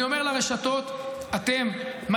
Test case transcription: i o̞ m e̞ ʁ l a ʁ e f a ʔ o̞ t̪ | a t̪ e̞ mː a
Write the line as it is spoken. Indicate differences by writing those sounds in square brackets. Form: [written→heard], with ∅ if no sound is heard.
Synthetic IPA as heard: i o̞ m e̞ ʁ l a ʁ e [f→ʃ] a [ʔ→t] o̞ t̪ | a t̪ e̞ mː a